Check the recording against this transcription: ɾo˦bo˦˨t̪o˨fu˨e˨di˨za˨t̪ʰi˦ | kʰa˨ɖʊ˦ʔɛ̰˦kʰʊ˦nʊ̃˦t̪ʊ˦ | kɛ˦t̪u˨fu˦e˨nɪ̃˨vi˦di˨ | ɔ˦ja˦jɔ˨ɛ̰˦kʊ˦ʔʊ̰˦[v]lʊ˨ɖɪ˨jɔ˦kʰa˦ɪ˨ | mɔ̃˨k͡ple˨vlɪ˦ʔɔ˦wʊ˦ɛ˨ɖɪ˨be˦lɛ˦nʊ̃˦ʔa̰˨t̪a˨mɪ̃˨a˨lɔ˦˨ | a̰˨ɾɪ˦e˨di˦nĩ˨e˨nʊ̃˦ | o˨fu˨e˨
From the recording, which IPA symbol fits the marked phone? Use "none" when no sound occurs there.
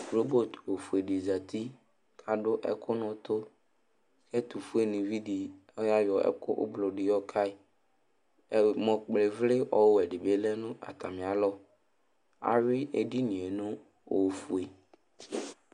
b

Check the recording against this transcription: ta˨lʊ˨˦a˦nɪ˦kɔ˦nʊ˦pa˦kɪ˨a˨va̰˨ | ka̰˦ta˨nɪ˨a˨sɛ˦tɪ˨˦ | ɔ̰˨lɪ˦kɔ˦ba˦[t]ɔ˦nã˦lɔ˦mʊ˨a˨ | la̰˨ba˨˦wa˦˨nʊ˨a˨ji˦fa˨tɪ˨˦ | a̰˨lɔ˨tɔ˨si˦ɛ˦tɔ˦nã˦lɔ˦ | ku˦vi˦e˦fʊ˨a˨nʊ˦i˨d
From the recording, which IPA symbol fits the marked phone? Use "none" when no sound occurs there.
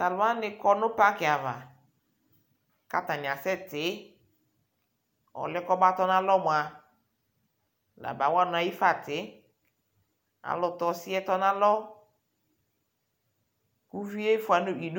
t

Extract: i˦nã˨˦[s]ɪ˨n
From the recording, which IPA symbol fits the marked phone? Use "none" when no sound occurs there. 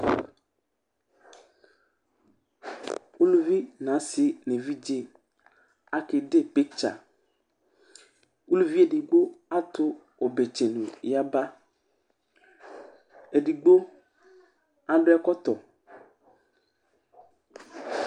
s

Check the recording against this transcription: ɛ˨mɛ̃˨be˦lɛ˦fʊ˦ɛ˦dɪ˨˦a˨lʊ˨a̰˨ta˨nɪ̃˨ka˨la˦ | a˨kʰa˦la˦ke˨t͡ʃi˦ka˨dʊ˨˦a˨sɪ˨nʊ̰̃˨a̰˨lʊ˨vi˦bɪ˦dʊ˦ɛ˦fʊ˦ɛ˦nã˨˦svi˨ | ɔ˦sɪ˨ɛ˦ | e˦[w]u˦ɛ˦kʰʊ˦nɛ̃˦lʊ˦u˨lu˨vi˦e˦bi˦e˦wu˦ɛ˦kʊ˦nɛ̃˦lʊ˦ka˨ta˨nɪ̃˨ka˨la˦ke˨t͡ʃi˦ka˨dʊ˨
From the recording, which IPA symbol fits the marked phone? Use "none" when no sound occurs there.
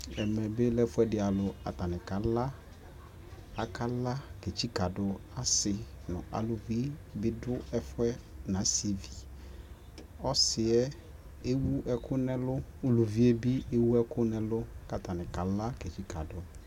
w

